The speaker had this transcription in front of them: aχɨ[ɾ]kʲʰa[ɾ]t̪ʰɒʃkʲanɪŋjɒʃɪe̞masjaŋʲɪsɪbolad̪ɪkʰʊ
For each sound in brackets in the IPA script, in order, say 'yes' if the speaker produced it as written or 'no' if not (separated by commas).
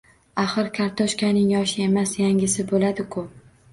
yes, yes